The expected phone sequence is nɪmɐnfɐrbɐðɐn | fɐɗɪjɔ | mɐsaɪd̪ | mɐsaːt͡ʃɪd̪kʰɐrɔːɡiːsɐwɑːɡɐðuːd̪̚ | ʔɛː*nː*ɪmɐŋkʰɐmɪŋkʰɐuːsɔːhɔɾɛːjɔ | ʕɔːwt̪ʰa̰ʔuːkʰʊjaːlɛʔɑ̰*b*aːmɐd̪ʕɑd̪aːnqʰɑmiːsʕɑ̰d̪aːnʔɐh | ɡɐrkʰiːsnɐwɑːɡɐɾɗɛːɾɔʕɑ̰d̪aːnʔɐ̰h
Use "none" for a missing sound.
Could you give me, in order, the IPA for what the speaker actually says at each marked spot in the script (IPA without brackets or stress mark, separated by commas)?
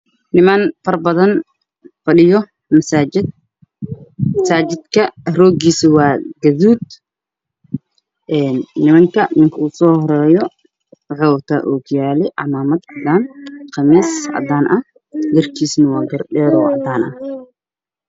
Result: nː, m